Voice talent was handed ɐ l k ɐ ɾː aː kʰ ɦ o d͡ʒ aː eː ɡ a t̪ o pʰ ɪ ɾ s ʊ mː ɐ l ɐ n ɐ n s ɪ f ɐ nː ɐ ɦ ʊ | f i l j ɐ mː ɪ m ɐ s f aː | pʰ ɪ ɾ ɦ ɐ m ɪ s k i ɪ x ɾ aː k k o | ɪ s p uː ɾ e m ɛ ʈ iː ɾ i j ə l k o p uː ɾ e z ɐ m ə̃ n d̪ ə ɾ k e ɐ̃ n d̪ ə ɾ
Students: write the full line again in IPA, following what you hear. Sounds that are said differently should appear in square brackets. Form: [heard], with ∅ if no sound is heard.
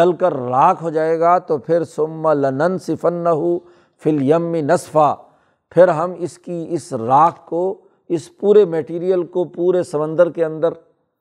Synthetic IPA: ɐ l k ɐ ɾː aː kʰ ɦ o d͡ʒ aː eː ɡ a t̪ o pʰ ɪ ɾ s ʊ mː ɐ l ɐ n ɐ n s ɪ f ɐ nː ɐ ɦ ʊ | f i l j ɐ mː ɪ [n] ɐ s f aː | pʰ ɪ ɾ ɦ ɐ m ɪ s k i ɪ [s] ɾ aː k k o | ɪ s p uː ɾ e m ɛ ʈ iː ɾ i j ə l k o p uː ɾ e [s] ɐ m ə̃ n d̪ ə ɾ k e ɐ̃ n d̪ ə ɾ